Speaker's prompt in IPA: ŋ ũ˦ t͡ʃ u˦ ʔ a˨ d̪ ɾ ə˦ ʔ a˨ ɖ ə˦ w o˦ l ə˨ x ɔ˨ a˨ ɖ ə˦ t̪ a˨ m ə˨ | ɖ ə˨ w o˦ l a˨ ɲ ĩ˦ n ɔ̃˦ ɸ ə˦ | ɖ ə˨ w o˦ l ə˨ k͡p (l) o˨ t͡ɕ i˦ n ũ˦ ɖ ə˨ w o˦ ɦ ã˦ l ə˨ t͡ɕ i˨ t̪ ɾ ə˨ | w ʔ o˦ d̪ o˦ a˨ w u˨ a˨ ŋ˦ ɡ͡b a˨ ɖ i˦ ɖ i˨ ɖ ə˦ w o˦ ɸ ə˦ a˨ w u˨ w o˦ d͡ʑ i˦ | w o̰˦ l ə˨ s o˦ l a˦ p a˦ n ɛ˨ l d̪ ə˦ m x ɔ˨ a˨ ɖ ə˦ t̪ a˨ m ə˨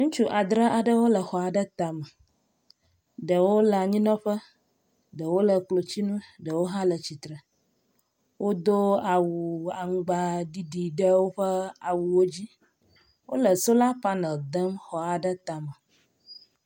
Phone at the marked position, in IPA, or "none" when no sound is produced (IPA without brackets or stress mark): l